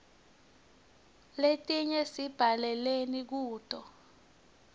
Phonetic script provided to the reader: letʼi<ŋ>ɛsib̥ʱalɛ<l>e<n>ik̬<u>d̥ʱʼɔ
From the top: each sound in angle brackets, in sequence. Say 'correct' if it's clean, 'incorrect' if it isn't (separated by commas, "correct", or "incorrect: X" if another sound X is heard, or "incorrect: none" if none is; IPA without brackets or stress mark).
incorrect: ɲ, correct, correct, incorrect: uː